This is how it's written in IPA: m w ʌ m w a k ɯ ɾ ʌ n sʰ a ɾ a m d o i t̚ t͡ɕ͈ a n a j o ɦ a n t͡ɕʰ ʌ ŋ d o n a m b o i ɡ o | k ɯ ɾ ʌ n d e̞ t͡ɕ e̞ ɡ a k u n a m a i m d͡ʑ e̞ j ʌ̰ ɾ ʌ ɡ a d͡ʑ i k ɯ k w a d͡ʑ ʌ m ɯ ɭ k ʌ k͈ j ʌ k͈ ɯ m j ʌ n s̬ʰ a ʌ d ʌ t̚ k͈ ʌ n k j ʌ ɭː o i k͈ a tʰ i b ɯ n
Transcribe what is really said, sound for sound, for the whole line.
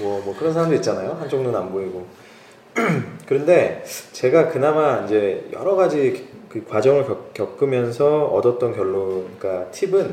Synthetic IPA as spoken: m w ʌ m w ʌ k ɯ ɾ ʌ n sʰ a ɾ a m d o i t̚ t͡ɕ͈ a n a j o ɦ a n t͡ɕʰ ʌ ŋ d o n a m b o i ɡ o | k ɯ ɾ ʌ n d e̞ t͡ɕ e̞ ɡ a k ɯ n a m a i n d͡ʑ e̞ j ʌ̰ ɾ ʌ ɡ a d͡ʑ i k ɯ k w a d͡ʑ ʌ ŋ ɯ ɭ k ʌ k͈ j ʌ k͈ ɯ m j ʌ n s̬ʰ ʌ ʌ d ʌ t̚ t͈ ʌ n k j ʌ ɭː o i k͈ a tʰ i b ɯ n